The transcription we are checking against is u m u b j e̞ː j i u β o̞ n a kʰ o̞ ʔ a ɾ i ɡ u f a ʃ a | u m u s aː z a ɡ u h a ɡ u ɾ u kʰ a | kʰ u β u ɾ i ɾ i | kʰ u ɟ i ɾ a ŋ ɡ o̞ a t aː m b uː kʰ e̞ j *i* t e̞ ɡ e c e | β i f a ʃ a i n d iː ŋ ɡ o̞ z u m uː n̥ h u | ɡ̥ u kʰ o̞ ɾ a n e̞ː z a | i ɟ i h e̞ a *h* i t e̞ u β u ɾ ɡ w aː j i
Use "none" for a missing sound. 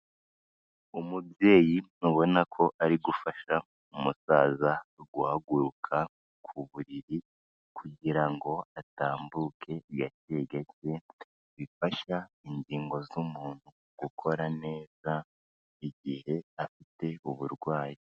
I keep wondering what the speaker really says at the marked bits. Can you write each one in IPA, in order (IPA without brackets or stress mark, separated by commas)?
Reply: a, f